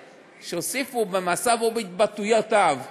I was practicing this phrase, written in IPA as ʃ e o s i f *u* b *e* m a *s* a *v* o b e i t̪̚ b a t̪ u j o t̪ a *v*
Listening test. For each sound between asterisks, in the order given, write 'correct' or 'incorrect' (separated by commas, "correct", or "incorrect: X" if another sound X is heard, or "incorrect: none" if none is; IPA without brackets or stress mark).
correct, correct, correct, correct, correct